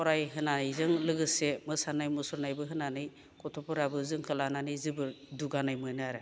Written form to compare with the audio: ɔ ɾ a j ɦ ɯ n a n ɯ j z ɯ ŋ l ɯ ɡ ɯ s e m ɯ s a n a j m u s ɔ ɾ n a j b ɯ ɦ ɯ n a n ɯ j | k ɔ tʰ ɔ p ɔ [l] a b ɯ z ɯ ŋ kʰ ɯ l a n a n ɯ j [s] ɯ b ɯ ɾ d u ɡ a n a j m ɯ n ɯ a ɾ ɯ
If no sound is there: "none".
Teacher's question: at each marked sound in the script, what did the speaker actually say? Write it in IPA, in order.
ɾ, z

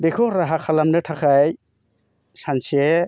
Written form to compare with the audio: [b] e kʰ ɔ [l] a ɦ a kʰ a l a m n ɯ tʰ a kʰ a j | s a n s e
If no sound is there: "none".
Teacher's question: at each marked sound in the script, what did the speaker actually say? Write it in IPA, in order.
b, ɾ

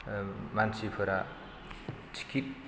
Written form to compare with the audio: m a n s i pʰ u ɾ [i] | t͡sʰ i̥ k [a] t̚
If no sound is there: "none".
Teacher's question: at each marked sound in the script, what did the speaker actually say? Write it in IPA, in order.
a, i

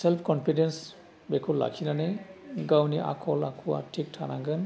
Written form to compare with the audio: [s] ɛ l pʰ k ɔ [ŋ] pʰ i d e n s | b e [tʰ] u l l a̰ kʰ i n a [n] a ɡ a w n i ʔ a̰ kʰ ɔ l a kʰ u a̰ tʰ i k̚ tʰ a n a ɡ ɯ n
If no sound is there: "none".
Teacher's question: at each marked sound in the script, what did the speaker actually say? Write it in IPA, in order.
s, n, kʰ, n

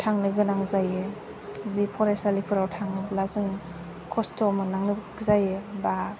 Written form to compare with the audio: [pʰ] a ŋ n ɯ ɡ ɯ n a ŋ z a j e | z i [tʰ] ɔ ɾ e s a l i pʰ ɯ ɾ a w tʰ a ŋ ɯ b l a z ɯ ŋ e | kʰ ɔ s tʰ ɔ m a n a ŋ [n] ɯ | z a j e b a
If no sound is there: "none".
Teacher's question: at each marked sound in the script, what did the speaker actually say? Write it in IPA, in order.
tʰ, pʰ, n

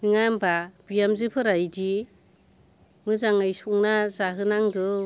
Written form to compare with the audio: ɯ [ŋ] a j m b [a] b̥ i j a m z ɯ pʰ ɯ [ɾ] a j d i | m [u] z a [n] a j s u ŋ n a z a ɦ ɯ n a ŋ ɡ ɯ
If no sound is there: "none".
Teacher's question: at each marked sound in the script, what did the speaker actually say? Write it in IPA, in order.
ŋ, a, ɾ, ɯ, ŋ

